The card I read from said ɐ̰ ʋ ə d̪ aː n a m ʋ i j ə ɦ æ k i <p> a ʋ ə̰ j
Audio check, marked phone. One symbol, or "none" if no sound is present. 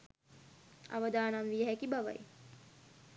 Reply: b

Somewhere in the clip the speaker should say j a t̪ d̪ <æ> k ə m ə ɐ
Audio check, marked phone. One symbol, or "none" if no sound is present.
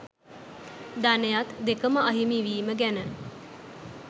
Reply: e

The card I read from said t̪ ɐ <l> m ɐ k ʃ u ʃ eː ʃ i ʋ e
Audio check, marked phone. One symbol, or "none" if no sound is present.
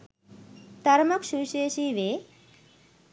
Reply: ɾ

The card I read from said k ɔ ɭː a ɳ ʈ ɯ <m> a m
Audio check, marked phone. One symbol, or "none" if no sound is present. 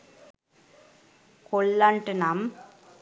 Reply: n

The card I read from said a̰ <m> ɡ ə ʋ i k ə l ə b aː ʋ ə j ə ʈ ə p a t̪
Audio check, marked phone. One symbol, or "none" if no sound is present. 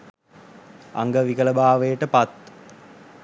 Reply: ŋ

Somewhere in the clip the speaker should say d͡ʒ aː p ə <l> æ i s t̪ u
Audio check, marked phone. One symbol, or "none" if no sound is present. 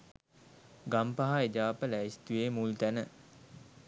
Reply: l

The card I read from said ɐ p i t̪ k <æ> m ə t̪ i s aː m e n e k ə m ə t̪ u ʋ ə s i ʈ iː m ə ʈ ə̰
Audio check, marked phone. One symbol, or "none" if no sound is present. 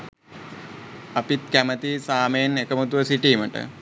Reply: æ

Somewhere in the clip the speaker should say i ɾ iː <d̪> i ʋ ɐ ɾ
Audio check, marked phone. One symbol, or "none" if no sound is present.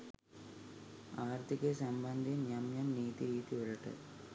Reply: t̪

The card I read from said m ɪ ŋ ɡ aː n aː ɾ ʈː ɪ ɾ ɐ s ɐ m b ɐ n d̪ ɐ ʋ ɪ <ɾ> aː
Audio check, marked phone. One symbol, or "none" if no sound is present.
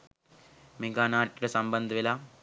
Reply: l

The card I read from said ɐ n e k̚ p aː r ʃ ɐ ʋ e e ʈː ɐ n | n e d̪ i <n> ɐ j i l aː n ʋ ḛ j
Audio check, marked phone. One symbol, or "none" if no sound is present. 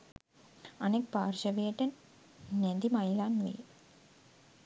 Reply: m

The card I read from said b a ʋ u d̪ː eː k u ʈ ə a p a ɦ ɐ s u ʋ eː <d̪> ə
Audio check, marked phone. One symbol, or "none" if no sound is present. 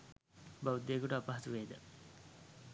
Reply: d̪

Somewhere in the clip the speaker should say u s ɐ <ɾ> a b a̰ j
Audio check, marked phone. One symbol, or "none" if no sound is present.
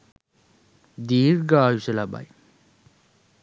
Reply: l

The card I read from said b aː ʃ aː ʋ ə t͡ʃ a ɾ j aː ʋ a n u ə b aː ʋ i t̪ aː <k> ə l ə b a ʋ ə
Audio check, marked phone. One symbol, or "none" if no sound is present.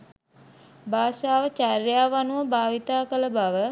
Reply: k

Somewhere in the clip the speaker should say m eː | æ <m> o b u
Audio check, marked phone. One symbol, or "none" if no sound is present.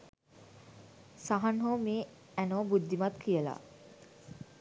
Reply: n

